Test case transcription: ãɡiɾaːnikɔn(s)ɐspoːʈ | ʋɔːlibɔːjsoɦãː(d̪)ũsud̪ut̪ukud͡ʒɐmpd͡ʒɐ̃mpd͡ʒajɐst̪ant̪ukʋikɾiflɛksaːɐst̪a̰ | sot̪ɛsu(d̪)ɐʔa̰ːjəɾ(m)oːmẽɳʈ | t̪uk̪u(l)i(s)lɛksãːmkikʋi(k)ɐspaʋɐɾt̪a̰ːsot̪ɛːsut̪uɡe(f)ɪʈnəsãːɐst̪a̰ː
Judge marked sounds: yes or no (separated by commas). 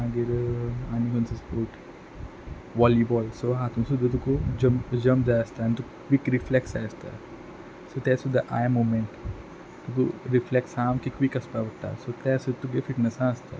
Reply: yes, no, yes, yes, no, no, yes, yes